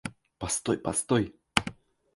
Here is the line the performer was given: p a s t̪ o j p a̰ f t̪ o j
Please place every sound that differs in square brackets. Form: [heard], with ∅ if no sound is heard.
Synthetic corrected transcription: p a s t̪ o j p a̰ [s] t̪ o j